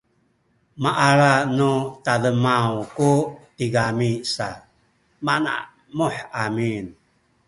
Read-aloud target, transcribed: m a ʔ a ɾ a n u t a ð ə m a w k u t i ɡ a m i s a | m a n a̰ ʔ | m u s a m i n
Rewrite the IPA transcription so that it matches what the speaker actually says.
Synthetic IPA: m a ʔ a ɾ a n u t a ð ə m a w k u t i ɡ a m i s a | m a n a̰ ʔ | m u ħ a m i n